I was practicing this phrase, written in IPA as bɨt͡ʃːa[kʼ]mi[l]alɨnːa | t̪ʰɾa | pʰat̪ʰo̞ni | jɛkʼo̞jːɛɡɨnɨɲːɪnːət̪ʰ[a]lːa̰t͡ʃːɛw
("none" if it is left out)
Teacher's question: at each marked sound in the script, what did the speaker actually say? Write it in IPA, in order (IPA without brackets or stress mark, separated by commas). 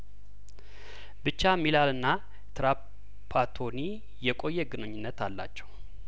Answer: none, l, a